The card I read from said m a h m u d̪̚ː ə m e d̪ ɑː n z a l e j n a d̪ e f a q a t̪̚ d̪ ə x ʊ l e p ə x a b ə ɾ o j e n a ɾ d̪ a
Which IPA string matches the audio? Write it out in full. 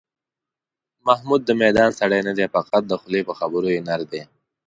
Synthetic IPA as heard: m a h m u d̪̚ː ə m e d̪ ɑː n s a ɽ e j n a d̪ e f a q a t̪̚ d̪ ə x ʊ l e p ə x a b ə ɾ o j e n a ɾ d̪ e